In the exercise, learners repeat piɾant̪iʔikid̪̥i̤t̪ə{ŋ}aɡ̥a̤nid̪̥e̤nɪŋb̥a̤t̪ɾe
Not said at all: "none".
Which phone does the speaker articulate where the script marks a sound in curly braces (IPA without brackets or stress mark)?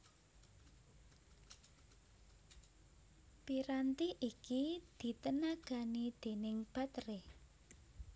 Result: n